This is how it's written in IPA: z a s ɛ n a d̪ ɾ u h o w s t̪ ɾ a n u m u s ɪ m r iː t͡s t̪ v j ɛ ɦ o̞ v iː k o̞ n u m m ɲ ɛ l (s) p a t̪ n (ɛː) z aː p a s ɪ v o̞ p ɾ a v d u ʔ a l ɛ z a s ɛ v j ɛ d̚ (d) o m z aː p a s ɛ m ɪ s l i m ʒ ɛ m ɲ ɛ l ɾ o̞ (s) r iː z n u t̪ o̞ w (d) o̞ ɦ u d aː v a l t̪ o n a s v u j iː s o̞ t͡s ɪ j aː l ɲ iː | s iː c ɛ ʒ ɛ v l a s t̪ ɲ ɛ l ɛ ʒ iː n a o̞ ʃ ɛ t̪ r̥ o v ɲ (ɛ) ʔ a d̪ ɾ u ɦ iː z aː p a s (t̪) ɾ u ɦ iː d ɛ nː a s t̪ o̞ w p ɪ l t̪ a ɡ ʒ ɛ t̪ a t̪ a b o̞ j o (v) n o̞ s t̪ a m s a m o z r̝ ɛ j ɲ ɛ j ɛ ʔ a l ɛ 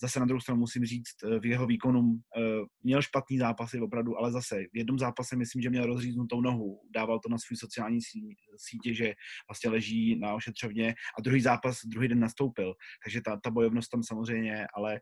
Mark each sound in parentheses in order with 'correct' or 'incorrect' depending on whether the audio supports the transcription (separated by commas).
incorrect, incorrect, incorrect, incorrect, incorrect, correct, incorrect, correct